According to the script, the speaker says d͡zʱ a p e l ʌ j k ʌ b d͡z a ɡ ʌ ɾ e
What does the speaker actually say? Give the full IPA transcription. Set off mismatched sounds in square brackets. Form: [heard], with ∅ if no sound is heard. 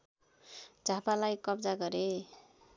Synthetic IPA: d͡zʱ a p [a] l [a] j k ʌ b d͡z a ɡ ʌ ɾ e